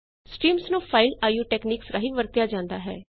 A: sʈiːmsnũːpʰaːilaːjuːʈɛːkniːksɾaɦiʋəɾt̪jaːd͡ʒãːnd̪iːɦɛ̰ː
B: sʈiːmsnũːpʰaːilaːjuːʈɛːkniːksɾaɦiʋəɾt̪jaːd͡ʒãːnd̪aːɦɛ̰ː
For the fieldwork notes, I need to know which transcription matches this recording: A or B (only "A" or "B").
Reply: B